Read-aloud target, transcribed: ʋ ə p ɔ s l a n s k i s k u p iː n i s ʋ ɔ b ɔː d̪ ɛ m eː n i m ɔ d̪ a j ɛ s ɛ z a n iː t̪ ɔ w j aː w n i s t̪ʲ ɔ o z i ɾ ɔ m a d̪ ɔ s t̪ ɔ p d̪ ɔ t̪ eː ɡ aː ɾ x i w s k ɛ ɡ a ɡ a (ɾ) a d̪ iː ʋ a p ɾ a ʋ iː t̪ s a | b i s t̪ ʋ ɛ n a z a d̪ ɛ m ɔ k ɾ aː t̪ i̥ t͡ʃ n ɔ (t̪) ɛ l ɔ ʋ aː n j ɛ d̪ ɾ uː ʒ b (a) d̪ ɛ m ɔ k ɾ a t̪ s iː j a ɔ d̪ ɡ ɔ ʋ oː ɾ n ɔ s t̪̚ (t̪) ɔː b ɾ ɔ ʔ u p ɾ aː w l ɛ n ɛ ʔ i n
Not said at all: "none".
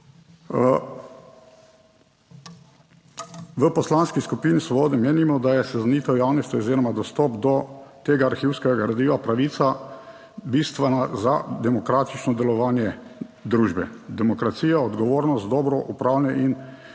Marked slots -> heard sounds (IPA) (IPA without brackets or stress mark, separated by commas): ɾ, d̪, ɛ, d̪